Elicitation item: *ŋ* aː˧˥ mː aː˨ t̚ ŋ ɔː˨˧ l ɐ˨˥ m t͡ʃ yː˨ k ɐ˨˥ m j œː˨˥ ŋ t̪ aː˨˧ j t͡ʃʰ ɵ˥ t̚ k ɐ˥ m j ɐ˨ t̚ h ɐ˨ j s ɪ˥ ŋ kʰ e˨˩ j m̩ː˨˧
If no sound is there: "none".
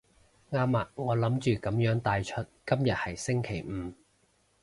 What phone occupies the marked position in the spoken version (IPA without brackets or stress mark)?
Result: ŋ